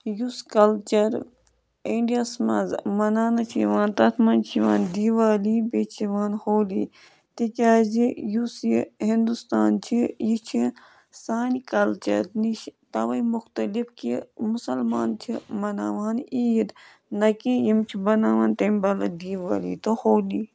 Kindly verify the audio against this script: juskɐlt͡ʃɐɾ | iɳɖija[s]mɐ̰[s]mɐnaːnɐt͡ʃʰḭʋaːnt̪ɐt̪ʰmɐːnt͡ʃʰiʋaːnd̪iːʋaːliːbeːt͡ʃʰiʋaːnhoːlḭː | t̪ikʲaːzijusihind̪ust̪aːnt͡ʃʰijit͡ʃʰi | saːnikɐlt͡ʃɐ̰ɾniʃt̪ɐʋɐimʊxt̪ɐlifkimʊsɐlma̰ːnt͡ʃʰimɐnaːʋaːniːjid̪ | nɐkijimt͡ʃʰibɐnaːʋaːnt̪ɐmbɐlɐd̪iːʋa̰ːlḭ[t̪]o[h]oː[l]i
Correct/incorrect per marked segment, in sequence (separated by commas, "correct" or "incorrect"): correct, incorrect, correct, correct, correct